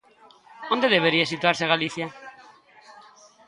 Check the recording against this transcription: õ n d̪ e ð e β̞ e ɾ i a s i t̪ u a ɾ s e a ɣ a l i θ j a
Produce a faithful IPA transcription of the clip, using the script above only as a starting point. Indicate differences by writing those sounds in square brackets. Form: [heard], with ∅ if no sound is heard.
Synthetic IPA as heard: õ n d̪ e ð e β̞ e ɾ i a s i t̪ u a ɾ s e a ɣ a l i θ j a